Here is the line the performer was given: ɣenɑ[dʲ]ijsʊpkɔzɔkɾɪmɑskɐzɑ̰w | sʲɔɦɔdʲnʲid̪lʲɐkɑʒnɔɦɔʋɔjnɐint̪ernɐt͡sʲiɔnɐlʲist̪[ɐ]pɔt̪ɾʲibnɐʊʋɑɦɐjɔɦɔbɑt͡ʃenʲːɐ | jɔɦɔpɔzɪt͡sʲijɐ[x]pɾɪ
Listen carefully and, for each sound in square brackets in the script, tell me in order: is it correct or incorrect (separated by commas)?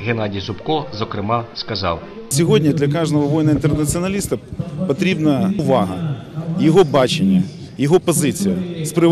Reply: correct, correct, incorrect